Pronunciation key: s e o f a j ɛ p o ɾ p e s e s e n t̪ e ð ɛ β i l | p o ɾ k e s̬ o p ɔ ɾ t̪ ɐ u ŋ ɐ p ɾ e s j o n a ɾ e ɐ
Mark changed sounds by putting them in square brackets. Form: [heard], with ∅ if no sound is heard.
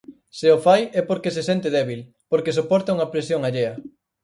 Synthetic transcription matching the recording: s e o f a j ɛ p o ɾ [k] e s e s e n t̪ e ð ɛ β i l | p o ɾ k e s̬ o p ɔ ɾ t̪ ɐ u ŋ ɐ p ɾ e s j o [ŋ] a [ʎ] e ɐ